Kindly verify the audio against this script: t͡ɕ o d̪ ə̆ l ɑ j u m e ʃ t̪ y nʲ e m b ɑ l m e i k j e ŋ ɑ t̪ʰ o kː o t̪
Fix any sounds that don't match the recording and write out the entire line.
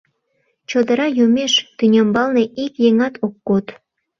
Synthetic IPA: t͡ɕ o d̪ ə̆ ɾ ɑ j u m e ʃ t̪ y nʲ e m b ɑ l n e i k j e ŋ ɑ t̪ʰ o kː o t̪